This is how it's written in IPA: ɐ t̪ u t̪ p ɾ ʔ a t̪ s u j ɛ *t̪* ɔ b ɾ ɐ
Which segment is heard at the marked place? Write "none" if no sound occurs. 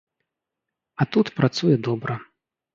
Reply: d̪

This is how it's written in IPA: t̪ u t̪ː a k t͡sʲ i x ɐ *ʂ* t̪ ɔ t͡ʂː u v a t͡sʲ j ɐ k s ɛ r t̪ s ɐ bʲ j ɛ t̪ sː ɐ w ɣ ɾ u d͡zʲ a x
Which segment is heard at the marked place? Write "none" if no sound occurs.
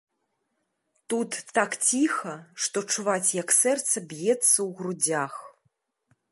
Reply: ʂ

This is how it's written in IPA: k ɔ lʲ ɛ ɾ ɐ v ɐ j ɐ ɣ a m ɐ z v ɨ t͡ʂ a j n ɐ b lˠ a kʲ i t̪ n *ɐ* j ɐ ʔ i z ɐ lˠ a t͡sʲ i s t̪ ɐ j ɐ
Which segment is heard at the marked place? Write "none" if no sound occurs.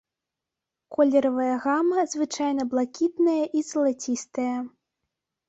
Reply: ɐ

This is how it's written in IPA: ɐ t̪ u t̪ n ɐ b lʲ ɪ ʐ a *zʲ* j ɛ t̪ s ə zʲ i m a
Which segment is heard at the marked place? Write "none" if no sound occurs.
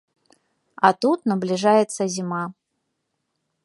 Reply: none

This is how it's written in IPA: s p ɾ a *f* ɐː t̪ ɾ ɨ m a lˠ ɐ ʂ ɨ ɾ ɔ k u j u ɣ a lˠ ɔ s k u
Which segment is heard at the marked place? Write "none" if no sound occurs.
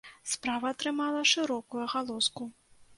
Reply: v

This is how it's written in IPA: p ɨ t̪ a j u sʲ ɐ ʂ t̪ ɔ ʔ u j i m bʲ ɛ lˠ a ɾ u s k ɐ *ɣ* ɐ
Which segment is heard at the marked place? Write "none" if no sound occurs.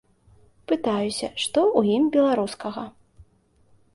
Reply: ɣ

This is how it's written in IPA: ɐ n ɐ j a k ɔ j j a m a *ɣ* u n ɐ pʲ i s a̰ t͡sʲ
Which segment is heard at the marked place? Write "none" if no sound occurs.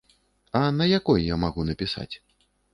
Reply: ɣ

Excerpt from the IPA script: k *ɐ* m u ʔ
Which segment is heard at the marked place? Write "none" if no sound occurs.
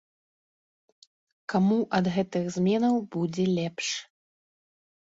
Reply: a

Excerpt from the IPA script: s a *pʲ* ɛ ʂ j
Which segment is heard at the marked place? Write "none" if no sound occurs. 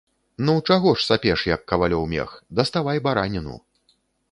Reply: pʲ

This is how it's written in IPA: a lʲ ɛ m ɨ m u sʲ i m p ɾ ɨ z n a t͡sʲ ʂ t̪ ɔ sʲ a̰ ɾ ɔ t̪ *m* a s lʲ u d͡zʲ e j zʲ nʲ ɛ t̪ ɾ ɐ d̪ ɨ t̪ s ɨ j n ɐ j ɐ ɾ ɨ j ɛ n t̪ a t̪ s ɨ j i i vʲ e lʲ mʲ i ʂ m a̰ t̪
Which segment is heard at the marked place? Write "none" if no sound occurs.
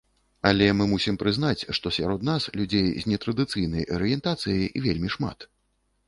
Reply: n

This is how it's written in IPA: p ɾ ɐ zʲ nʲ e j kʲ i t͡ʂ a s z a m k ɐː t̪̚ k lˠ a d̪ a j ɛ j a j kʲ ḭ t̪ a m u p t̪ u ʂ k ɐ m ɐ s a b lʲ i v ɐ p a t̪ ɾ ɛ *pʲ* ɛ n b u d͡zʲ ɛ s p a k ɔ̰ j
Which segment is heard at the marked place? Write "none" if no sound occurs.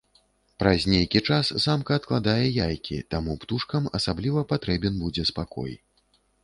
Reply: bʲ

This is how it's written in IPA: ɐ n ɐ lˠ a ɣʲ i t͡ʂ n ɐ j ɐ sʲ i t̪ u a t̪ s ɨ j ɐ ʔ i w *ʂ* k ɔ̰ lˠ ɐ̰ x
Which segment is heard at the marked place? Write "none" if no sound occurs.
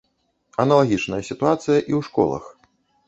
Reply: ʂ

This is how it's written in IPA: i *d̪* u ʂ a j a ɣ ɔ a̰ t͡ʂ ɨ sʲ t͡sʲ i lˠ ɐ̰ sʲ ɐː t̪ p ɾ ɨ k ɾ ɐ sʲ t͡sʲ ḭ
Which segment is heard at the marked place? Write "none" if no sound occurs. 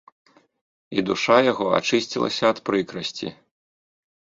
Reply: d̪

